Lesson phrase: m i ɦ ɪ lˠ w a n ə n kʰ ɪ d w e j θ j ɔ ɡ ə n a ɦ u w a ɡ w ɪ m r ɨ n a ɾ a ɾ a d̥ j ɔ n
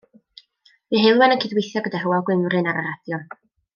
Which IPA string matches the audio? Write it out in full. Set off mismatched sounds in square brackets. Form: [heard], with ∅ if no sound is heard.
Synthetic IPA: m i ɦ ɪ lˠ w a n ə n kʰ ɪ d w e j θ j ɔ ɡ ə [d] a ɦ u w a ɡ w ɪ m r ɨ n a ɾ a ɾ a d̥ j ɔ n